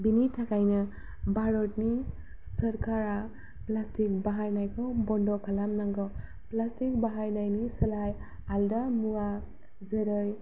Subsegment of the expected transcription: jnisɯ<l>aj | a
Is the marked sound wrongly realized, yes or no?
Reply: no